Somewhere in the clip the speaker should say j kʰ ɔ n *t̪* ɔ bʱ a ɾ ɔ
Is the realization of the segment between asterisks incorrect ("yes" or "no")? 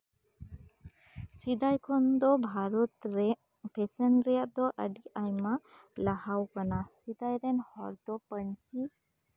yes